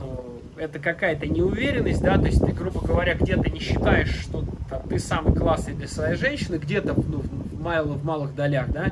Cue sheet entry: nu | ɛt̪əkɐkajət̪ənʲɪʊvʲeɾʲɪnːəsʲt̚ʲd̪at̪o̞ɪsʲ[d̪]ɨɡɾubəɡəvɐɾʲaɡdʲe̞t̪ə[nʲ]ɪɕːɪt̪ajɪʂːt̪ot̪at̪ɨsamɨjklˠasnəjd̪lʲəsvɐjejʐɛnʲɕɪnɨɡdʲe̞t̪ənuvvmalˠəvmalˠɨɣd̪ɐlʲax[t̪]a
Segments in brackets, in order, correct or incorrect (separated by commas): incorrect, correct, incorrect